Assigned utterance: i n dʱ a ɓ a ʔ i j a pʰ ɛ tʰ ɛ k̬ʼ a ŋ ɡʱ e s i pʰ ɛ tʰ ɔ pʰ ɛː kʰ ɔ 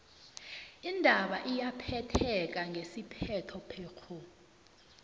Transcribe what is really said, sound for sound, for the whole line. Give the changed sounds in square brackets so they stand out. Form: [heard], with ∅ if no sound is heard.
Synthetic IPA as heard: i n dʱ a ɓ a ʔ i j a pʰ ɛ tʰ ɛ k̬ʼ a ŋ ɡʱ e s i pʰ ɛ tʰ ɔ pʰ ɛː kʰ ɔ